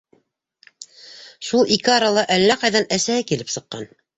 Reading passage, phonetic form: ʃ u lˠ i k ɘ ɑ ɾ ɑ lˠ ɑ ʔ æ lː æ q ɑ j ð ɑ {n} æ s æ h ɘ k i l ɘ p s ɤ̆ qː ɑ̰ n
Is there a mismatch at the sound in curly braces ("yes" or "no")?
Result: no